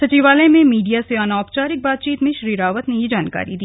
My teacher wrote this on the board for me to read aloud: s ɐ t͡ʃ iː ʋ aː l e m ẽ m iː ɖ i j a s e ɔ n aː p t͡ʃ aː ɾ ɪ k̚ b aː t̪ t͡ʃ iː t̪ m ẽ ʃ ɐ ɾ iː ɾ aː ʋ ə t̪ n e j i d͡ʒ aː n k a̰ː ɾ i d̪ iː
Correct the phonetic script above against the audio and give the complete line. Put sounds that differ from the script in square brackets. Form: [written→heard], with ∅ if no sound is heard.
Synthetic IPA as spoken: s ɐ t͡ʃ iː ʋ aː l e m ẽ m iː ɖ i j a s e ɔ n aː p t͡ʃ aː ɾ ɪ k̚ b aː t̪ t͡ʃ iː t̪ m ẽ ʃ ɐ ɾ iː ɾ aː ʋ ə t̪ n e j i d͡ʒ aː n k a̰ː ɾ i d̪ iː